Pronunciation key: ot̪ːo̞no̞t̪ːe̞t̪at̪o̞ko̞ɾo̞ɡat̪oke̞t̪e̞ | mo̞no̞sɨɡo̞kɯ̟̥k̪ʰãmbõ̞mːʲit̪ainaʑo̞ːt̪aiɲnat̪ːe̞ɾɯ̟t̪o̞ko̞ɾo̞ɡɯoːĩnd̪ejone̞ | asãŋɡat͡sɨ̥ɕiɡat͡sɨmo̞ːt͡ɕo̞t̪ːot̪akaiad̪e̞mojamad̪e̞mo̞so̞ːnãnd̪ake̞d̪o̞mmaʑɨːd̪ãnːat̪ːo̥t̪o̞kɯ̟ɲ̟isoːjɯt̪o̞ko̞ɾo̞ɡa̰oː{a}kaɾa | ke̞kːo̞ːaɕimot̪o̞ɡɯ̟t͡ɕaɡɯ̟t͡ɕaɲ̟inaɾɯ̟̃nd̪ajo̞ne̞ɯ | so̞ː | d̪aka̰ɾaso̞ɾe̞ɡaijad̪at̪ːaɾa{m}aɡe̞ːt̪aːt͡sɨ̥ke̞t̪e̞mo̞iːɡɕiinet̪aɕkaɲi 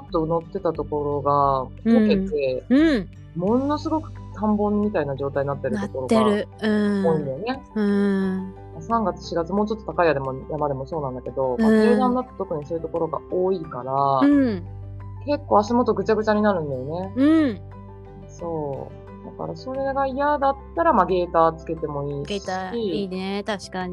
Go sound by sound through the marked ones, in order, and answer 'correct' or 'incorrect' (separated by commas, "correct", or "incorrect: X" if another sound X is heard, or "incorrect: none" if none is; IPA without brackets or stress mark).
incorrect: i, correct